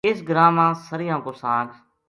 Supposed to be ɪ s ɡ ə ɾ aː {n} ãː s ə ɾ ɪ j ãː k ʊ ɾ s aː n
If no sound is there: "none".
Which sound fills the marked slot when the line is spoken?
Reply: m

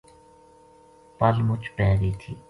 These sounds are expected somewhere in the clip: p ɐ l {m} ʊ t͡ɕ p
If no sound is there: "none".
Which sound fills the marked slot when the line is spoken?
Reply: m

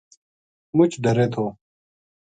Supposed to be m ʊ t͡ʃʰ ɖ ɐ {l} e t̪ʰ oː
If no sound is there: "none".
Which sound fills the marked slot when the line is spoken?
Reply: ɾ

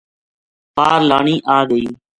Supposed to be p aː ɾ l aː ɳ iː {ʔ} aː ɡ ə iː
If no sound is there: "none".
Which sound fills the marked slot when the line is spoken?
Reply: ʔ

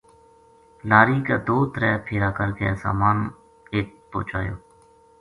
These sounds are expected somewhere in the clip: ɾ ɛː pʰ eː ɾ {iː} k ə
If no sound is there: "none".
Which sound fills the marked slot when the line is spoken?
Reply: aː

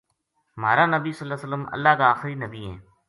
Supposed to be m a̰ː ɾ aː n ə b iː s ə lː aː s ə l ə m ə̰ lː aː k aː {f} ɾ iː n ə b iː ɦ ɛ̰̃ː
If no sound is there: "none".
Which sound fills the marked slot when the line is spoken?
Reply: x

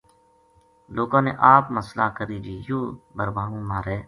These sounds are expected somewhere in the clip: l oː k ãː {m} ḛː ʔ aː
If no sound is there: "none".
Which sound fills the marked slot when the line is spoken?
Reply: n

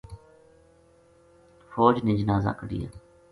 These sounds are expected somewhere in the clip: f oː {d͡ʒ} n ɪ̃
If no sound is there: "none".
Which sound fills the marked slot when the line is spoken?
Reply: d͡ʒ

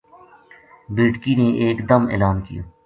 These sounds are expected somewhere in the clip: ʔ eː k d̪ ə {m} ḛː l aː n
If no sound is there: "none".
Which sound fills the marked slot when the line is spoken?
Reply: m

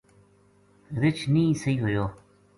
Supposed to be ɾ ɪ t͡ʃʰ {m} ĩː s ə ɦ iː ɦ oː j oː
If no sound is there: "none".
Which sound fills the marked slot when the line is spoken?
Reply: n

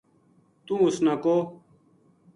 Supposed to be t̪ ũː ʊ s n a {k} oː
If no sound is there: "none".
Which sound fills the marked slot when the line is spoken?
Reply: k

